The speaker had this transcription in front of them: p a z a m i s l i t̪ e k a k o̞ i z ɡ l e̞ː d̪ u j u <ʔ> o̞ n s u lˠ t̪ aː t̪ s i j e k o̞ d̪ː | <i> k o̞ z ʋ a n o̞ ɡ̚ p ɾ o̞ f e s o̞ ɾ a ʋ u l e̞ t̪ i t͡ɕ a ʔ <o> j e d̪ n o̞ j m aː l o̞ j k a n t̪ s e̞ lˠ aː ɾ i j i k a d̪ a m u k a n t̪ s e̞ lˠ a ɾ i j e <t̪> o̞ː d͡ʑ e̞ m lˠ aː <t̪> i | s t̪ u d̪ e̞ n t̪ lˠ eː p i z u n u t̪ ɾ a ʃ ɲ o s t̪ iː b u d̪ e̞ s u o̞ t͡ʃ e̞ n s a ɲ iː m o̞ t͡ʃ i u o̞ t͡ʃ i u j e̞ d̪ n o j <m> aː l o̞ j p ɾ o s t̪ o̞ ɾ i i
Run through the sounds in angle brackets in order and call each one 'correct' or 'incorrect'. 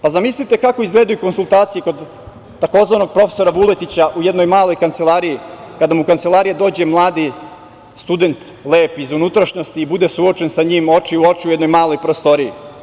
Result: incorrect: k, incorrect: a, incorrect: u, incorrect: d̪, incorrect: d̪, correct

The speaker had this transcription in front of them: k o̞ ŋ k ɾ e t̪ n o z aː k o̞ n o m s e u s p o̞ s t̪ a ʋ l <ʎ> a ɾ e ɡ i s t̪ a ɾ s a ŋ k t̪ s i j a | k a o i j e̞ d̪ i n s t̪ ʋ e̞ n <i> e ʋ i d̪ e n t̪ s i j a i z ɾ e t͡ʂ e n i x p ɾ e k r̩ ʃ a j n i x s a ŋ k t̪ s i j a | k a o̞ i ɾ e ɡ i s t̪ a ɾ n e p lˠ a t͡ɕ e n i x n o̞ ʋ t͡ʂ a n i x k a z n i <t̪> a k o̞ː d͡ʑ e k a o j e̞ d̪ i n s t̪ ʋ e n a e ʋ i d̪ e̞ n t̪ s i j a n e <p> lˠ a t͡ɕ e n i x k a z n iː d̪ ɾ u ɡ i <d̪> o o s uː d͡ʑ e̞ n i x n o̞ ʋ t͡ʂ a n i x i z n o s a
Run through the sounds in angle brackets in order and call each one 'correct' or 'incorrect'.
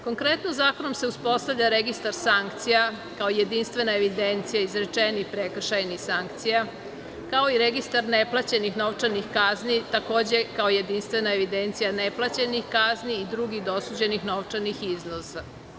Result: correct, incorrect: a, correct, correct, correct

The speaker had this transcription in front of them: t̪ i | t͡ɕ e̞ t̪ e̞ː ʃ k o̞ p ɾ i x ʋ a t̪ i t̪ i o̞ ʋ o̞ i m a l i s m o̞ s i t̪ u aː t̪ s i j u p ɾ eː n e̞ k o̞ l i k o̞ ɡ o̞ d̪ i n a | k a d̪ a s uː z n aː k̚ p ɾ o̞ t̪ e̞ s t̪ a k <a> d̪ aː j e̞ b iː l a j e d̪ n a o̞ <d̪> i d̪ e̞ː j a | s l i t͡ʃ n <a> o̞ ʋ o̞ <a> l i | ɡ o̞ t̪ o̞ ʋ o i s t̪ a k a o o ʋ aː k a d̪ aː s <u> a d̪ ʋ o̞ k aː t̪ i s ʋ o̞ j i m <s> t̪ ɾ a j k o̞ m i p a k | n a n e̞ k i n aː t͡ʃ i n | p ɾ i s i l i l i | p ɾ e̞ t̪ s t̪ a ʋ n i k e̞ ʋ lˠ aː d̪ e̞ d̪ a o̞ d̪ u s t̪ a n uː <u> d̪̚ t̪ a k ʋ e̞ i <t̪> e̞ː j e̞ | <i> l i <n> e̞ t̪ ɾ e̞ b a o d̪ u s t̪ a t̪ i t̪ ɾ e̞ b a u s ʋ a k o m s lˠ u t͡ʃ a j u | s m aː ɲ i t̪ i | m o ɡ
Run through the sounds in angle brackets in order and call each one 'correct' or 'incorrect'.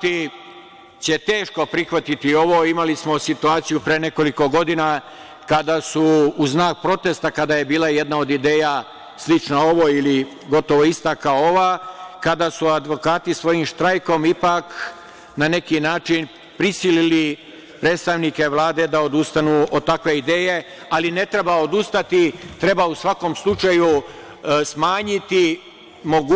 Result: correct, correct, correct, incorrect: i, correct, incorrect: ʃ, incorrect: o, incorrect: d̪, incorrect: a, correct

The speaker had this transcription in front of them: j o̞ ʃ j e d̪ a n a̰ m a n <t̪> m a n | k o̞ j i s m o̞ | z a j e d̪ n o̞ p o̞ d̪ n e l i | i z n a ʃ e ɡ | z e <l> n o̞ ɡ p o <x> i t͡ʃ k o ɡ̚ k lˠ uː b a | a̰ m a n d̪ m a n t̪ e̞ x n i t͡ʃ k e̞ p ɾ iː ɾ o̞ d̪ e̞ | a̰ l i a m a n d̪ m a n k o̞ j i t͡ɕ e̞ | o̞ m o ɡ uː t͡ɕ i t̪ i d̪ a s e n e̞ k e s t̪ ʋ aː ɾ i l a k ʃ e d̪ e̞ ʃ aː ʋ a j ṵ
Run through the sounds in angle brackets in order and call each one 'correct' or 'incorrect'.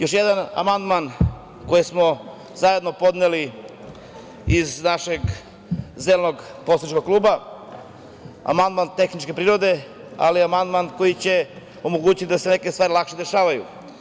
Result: incorrect: d̪, correct, incorrect: s

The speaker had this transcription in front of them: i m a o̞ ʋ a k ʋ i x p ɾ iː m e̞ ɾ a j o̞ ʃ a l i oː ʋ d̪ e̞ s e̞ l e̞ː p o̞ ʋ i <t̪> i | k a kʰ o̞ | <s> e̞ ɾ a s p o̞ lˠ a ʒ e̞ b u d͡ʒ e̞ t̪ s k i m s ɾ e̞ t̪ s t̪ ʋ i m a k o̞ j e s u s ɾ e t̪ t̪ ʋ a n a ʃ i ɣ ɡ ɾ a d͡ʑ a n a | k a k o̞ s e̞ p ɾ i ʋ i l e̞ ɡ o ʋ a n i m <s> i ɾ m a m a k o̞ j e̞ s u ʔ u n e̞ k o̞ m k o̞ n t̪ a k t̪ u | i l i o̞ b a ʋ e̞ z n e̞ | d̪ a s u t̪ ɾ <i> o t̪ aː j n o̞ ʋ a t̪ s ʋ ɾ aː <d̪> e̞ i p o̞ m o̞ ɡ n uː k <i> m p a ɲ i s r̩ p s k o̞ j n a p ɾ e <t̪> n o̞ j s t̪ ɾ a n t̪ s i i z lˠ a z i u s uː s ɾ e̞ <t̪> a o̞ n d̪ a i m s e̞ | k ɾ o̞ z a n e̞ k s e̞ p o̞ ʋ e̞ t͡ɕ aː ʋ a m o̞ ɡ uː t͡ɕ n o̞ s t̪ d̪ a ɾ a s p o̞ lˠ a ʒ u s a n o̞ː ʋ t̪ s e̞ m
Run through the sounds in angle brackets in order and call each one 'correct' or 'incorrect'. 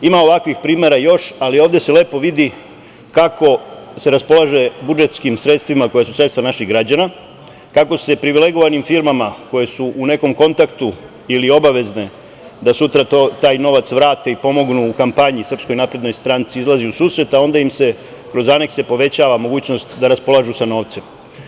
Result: incorrect: d̪, correct, incorrect: f, incorrect: a, incorrect: t̪, incorrect: a, incorrect: d̪, correct

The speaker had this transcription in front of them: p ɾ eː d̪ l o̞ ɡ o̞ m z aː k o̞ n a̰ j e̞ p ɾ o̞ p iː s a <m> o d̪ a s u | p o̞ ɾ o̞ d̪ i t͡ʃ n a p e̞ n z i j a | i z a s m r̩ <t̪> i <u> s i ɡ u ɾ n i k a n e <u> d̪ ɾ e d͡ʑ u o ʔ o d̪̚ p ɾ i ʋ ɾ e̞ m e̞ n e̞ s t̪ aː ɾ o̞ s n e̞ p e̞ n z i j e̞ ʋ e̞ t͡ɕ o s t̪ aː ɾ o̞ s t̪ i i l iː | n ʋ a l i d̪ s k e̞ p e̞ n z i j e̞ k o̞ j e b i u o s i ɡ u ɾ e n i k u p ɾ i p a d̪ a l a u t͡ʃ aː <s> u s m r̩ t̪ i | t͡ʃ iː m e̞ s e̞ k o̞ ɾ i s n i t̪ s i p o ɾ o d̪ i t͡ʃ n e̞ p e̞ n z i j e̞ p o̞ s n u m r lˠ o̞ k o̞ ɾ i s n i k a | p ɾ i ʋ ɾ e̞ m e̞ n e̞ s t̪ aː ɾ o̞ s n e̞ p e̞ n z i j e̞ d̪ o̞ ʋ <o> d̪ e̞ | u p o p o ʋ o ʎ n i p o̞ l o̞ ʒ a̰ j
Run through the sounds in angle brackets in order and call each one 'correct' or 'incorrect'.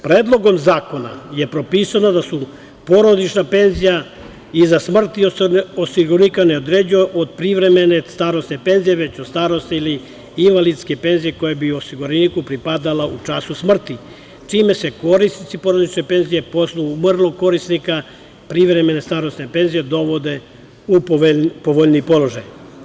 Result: incorrect: n, correct, incorrect: o, incorrect: o, correct, correct

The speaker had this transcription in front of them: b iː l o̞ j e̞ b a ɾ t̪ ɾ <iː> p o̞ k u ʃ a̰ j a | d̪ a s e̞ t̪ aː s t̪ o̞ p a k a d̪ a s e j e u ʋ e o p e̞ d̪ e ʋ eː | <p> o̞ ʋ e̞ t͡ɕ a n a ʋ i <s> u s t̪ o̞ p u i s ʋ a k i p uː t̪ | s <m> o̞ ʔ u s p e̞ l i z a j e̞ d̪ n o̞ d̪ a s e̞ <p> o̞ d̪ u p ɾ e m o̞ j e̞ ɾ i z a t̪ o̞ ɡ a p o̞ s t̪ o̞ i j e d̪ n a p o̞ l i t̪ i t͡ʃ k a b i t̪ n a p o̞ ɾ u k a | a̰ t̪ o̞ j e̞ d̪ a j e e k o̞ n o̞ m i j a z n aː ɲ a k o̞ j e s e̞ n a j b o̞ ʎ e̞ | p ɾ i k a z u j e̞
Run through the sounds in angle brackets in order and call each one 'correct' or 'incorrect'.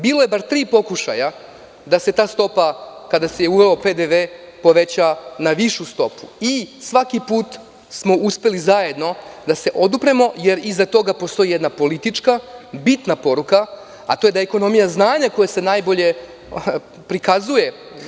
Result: correct, correct, incorrect: ʃ, correct, incorrect: ʔ

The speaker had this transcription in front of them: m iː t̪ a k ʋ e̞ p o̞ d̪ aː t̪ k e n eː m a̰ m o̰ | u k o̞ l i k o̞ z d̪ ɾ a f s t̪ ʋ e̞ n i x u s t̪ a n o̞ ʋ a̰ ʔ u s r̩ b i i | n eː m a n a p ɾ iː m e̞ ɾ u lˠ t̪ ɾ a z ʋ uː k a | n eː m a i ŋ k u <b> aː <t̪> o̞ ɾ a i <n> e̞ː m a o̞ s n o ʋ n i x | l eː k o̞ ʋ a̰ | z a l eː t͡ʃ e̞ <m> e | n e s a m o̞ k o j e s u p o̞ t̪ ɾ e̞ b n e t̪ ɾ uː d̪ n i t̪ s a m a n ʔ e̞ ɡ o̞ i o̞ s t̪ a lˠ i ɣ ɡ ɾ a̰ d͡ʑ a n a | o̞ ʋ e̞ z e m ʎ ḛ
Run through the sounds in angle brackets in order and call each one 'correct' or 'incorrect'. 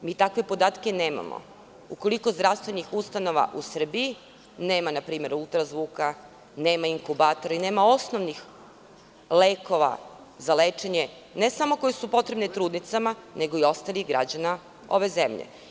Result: correct, correct, correct, incorrect: ɲ

